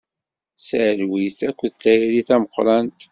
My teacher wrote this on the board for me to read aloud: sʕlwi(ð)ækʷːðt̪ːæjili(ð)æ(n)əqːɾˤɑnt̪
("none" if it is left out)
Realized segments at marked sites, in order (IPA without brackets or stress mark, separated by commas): θ, θ, m